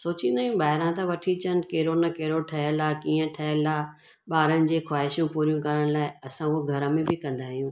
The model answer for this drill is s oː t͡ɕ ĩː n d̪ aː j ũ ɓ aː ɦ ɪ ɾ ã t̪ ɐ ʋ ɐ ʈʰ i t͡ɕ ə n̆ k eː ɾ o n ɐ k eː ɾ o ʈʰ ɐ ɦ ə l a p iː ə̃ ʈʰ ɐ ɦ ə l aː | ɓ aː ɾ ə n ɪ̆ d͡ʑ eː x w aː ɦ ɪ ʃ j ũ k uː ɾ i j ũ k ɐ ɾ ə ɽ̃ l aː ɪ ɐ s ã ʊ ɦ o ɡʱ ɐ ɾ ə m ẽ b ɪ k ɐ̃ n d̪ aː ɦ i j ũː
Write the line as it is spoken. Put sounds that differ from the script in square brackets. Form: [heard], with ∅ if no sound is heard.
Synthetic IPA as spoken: s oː t͡ɕ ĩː n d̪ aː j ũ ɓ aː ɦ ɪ ɾ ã t̪ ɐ ʋ ɐ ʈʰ i t͡ɕ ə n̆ k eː ɾ o n ɐ k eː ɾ o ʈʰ ɐ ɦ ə l a [k] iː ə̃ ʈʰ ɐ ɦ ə l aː | ɓ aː ɾ ə n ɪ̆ d͡ʑ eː x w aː ɦ ɪ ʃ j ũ [p] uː ɾ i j ũ k ɐ ɾ ə ɽ̃ l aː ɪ ɐ s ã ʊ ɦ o ɡʱ ɐ ɾ ə m ẽ b ɪ k ɐ̃ n d̪ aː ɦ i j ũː